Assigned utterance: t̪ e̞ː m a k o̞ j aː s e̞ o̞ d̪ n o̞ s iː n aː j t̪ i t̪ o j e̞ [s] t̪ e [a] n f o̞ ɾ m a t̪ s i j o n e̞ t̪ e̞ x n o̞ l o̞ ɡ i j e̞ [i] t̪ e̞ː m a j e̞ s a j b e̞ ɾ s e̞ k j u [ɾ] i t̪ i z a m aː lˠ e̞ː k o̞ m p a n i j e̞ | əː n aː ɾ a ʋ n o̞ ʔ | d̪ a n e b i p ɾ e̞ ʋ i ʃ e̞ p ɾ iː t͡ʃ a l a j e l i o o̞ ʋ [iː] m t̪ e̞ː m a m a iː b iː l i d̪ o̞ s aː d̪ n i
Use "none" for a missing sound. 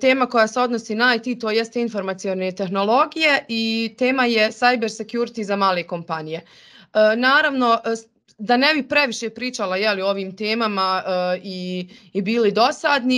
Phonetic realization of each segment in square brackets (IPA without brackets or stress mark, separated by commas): s, i, i, ɾ, iː